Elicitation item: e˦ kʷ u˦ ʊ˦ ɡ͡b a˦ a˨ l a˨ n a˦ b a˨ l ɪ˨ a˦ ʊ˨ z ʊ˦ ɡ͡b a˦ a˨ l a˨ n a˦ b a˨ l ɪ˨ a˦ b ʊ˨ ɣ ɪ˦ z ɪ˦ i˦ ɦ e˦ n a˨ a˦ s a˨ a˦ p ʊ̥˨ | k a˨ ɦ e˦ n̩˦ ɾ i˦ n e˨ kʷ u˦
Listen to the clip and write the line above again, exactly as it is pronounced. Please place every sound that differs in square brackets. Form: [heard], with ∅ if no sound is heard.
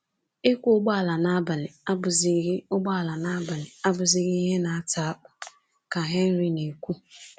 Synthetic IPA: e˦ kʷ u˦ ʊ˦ ɡ͡b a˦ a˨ l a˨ n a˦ b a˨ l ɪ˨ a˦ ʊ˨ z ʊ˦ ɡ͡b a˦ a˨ l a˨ n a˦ b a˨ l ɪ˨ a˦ b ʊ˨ [z] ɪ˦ [ɣ] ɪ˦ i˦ ɦ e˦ n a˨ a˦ [t] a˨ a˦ [k͡p] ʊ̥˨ | k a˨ ɦ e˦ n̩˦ ɾ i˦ n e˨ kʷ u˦